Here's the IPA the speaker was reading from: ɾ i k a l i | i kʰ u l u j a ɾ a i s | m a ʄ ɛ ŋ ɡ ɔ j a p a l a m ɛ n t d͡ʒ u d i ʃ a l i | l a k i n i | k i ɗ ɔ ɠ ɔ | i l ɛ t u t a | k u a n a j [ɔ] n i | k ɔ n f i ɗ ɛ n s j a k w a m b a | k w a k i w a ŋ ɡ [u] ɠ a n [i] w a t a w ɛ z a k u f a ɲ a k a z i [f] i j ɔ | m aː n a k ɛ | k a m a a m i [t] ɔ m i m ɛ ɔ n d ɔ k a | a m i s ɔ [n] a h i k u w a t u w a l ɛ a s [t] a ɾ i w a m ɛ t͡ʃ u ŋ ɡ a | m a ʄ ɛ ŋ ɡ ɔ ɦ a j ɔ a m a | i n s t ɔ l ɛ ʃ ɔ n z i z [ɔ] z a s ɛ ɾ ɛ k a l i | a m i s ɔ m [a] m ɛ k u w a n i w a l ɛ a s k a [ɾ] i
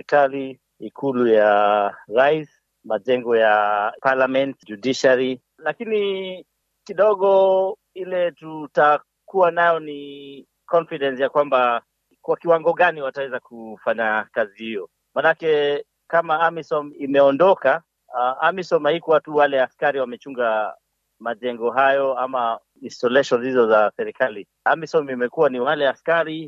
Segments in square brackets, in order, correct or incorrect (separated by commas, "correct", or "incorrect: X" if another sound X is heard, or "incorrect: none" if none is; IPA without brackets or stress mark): correct, incorrect: ɔ, correct, incorrect: h, incorrect: s, incorrect: m, incorrect: k, correct, incorrect: i, correct